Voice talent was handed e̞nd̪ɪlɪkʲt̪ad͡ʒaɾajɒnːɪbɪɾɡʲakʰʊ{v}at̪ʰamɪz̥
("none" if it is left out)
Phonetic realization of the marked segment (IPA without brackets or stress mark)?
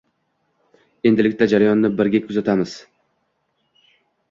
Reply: z